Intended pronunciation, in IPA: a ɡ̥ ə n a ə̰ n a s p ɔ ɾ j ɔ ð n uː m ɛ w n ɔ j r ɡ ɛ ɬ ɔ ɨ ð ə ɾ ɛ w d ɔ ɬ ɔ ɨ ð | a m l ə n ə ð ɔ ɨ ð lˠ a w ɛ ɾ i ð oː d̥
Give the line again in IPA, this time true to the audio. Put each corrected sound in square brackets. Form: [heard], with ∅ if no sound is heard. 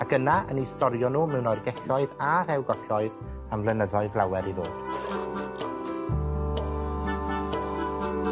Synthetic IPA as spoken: a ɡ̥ ə n a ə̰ n [i] s [t] ɔ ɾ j ɔ [∅] n uː m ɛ w n ɔ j r ɡ ɛ ɬ ɔ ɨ ð [a] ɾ ɛ w [ɡ] ɔ ɬ ɔ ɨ ð | a m l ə n ə ð ɔ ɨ ð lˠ a w ɛ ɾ i ð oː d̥